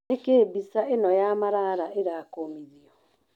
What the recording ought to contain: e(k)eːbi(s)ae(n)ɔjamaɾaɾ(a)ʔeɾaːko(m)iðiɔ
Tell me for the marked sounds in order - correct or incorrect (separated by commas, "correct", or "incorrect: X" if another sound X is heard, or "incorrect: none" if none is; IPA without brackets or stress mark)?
correct, correct, correct, correct, correct